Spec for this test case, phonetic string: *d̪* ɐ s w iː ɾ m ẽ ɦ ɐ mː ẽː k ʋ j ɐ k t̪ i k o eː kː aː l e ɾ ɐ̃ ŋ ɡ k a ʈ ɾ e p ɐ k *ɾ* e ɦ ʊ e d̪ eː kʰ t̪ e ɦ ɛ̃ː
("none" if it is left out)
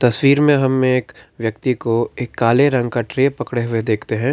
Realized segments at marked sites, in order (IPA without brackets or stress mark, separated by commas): t̪, ɽ